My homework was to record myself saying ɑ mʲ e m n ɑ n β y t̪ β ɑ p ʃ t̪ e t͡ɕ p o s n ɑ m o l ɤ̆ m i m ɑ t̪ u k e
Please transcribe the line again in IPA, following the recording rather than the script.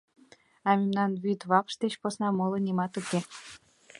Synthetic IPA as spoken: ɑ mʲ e m n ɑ n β y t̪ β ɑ p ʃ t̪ e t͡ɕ p o s n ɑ m o l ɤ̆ n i m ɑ t̪ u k e